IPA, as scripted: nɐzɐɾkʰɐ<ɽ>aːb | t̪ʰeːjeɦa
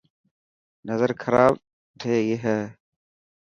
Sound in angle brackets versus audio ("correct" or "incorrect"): incorrect